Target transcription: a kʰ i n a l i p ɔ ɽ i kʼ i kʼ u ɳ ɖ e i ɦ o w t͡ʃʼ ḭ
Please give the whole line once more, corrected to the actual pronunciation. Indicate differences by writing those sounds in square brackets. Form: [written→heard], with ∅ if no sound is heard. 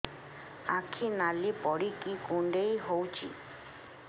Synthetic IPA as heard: a kʰ i n a l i p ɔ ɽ i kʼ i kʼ u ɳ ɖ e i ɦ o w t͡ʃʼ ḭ

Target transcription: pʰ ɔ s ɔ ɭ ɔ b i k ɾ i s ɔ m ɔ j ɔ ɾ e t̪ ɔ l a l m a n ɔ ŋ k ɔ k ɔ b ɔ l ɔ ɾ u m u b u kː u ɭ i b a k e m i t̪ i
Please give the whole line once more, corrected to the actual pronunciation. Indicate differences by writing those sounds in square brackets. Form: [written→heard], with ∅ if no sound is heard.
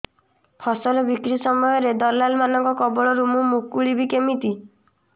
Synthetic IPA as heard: pʰ ɔ s ɔ [ɭ→l] ɔ b i k ɾ i s ɔ m ɔ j ɔ ɾ e [t̪→d̪] ɔ l a l m a n ɔ ŋ k ɔ k ɔ b ɔ [l→ɭ] ɔ ɾ u m u [b→m] u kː u ɭ i b [a→i] k e m i t̪ i

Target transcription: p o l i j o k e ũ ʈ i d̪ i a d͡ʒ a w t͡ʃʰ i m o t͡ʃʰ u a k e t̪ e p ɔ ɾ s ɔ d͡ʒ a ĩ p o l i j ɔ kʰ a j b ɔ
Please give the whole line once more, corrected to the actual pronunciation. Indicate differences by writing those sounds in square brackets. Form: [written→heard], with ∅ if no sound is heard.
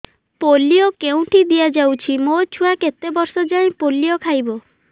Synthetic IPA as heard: p o l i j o k e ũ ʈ i d̪ i a d͡ʒ a w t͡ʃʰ i m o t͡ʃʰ u a k e t̪ e [p→b] ɔ ɾ s ɔ d͡ʒ a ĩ p o l i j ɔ kʰ a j b ɔ

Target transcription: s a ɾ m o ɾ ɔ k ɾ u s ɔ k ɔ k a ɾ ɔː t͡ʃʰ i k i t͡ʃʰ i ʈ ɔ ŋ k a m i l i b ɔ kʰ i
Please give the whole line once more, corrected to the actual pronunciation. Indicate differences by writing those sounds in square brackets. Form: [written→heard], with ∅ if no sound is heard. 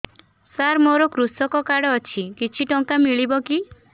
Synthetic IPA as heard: s a ɾ m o ɾ ɔ k ɾ u s ɔ k ɔ k a [ɾ→ɽ] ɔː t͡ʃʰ i k i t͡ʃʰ i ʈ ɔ ŋ k a m i [l→ɭ] i b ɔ [kʰ→k] i

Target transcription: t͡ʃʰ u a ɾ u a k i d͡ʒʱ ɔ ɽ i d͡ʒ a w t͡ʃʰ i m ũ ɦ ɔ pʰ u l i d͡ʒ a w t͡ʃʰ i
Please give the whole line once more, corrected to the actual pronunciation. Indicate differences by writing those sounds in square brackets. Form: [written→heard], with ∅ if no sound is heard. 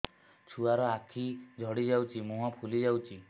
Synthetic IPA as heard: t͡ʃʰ u a ɾ [u→ɔ] a [k→kʰ] i d͡ʒʱ ɔ ɽ i d͡ʒ a w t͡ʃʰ i m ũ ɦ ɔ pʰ u l i d͡ʒ a w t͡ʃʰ i

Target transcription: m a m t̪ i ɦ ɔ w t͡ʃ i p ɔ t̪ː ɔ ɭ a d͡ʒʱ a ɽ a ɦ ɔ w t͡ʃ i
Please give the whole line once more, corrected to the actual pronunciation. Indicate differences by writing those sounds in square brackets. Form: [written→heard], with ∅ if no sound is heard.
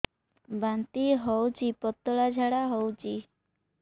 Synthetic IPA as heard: [m→b] a [m→n] t̪ i ɦ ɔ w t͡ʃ i p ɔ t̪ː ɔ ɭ a d͡ʒʱ a ɽ a ɦ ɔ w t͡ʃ i

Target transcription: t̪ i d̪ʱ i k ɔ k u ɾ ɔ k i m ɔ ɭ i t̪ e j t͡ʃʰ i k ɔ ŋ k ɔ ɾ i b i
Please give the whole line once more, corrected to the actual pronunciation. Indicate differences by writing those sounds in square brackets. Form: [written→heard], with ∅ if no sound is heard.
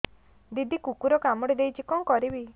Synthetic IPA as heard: [t̪→d̪] i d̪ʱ i k [ɔ→u] k u ɾ ɔ k [i→a] m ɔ [ɭ→ɽ] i [t̪→d̪] e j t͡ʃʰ i k ɔ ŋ k ɔ ɾ i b i

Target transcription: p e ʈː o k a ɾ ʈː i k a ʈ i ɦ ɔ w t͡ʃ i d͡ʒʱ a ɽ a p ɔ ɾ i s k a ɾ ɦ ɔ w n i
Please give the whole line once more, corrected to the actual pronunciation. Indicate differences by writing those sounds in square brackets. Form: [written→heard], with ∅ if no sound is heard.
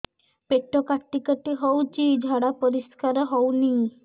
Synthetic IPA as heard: p e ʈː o k a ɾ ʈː i k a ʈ i ɦ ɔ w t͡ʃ i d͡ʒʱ a ɽ a p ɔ ɾ i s k a ɾ ɦ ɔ w n i

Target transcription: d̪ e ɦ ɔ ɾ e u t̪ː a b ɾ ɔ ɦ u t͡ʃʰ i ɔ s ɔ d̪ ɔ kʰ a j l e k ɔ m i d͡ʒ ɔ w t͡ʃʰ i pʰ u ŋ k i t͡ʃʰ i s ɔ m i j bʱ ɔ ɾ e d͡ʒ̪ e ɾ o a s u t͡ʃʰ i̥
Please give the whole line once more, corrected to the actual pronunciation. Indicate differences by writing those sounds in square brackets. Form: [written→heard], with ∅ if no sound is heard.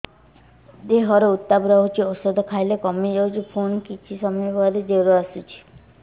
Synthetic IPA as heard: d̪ e ɦ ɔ ɾ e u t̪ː a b ɾ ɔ ɦ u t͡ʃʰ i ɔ s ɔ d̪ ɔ kʰ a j l e k ɔ m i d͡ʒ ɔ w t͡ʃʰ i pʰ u [ŋ→n] k i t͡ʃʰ i s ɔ m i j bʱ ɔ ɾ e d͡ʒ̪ e ɾ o a s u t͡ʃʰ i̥

